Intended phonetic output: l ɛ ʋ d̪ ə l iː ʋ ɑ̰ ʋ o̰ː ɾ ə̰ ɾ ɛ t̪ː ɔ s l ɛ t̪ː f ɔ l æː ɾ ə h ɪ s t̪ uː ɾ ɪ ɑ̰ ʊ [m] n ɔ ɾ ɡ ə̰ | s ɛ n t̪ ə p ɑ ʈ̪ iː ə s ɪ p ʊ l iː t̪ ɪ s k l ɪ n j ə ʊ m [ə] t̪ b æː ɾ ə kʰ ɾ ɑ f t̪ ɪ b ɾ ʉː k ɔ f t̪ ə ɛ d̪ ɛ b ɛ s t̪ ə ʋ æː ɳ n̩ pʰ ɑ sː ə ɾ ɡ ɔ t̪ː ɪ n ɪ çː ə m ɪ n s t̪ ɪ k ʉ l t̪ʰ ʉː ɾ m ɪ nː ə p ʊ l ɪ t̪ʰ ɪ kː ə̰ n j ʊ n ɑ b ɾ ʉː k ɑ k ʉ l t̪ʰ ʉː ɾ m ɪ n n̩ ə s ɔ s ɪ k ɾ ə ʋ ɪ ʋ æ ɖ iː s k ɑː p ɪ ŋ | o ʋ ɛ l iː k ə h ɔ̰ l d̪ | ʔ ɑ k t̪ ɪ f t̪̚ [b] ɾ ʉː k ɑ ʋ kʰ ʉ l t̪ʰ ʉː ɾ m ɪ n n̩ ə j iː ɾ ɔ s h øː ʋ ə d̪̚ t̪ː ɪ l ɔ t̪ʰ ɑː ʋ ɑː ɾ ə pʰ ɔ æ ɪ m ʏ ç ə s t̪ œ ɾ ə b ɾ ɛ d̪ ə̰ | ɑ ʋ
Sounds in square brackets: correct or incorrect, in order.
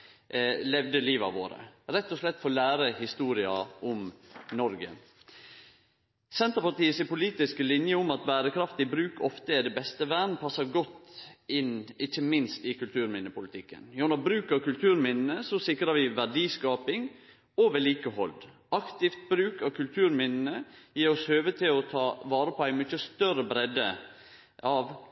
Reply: correct, incorrect: ɑ, correct

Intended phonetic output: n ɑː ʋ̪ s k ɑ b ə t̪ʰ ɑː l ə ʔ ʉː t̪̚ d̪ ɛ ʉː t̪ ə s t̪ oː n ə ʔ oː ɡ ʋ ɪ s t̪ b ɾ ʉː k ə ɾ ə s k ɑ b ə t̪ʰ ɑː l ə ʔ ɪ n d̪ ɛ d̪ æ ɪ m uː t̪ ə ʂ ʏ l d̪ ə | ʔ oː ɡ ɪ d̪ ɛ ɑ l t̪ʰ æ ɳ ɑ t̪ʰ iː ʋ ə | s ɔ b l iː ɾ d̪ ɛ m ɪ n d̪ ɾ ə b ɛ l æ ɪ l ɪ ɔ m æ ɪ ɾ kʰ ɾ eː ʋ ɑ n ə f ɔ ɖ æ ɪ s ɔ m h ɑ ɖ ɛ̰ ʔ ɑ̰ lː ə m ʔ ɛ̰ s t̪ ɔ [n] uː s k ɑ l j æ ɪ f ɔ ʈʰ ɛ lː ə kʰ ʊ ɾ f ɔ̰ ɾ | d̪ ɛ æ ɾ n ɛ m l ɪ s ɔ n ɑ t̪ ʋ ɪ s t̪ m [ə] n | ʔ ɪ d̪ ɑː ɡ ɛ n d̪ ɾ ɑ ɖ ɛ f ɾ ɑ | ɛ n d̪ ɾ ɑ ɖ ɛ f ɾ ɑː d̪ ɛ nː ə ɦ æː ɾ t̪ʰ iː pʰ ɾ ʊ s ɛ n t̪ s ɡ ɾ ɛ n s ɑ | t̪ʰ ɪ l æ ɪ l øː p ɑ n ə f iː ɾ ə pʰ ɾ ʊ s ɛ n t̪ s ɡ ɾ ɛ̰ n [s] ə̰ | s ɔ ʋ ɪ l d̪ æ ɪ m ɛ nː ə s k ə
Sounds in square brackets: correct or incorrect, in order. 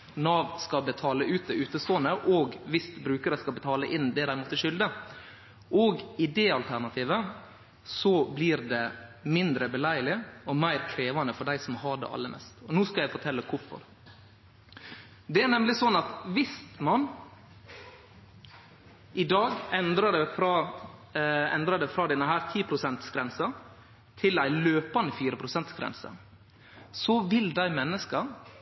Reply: correct, incorrect: ɑ, correct

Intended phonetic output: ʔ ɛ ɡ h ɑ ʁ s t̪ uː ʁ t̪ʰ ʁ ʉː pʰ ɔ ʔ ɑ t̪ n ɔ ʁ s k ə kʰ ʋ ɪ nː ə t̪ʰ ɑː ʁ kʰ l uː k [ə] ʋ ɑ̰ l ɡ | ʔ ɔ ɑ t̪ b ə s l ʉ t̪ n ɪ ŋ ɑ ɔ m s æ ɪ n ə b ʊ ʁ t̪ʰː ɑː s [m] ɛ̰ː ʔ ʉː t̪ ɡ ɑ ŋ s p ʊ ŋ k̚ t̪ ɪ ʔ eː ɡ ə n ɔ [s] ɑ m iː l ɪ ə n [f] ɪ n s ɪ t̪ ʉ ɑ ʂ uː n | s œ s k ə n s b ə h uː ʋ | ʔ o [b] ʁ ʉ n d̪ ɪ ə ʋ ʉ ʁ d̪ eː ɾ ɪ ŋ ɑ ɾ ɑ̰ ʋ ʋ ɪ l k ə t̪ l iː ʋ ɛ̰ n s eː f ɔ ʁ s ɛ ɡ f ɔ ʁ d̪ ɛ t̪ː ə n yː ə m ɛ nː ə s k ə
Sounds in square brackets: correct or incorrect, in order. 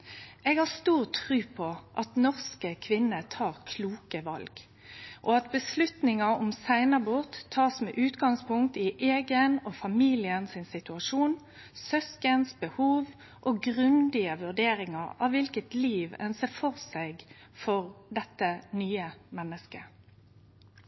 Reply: correct, correct, incorrect: f, incorrect: s, incorrect: ɡ

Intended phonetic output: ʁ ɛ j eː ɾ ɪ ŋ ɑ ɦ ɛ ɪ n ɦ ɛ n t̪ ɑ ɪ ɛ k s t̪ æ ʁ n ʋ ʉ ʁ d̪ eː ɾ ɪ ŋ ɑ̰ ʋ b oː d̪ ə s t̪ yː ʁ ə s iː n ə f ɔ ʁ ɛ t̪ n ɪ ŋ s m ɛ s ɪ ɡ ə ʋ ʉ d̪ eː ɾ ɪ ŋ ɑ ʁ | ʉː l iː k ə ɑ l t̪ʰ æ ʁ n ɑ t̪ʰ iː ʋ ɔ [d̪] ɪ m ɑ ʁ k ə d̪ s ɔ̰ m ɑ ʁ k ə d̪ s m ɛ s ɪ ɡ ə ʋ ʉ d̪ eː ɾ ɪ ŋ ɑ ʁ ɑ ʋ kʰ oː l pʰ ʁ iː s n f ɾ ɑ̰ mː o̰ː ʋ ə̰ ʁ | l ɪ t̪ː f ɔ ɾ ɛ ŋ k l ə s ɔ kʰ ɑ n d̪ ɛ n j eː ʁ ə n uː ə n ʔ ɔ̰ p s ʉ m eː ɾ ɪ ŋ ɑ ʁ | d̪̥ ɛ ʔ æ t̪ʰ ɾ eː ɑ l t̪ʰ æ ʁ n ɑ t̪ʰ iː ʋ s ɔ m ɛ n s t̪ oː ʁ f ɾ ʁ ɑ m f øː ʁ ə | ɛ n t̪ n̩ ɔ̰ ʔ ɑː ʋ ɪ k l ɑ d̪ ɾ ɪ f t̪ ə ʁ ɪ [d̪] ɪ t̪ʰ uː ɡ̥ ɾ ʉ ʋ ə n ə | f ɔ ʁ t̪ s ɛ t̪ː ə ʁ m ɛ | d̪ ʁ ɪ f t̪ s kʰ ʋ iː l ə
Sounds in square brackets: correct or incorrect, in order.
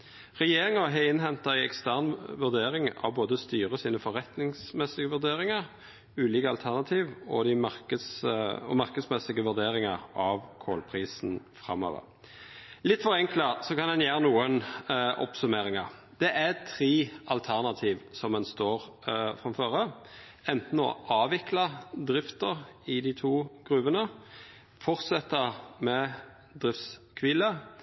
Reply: correct, correct

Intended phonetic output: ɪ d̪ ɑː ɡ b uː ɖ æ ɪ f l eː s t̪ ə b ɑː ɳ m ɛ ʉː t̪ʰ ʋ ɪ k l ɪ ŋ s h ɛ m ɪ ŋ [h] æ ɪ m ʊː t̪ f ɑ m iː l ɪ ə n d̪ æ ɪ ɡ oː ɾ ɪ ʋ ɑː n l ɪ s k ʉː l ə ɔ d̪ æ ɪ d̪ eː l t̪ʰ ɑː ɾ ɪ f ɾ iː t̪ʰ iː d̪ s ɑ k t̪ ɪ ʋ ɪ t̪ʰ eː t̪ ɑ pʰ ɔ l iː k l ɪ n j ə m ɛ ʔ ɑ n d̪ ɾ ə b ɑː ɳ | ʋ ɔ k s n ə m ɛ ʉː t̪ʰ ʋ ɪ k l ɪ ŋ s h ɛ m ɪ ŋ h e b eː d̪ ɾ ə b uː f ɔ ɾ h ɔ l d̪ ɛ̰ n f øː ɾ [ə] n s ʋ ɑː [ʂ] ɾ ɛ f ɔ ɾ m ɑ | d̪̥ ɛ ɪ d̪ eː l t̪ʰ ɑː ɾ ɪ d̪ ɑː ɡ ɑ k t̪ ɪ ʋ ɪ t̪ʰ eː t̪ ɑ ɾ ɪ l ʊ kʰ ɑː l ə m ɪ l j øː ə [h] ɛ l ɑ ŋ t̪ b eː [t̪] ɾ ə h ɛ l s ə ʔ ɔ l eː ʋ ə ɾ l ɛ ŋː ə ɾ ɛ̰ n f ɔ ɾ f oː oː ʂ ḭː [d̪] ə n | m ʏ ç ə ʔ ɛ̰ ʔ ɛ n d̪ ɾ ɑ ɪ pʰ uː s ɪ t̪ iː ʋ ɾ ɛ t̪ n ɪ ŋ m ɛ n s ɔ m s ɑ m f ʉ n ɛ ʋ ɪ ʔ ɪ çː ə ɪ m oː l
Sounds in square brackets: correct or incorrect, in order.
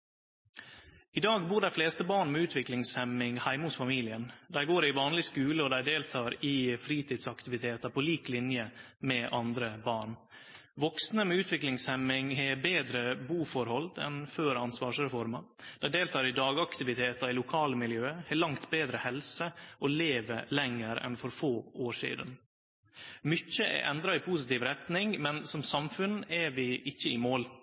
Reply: correct, incorrect: ɑ, correct, correct, incorrect: d̪, correct

